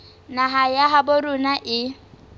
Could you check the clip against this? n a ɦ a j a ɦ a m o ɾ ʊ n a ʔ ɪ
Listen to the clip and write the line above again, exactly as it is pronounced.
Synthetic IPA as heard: n a ɦ a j a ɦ a b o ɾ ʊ n a ʔ ɪ